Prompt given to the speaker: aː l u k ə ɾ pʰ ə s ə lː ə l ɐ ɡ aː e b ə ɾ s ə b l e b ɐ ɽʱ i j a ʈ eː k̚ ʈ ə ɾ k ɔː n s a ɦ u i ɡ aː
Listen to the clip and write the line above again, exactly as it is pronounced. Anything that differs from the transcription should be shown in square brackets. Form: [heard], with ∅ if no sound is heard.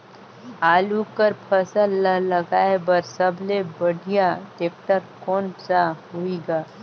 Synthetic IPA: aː l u k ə ɾ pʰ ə s ə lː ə l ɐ ɡ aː e b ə ɾ s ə b l e b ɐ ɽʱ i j a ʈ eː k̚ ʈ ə ɾ k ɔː n s a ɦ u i ɡ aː